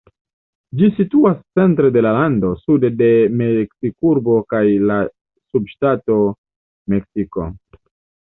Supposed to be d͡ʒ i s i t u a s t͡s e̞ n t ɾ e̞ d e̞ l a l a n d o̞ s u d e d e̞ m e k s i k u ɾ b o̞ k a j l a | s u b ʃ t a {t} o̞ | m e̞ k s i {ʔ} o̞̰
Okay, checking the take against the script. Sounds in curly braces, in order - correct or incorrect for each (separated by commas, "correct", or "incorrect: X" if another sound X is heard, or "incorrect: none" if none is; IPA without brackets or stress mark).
correct, incorrect: k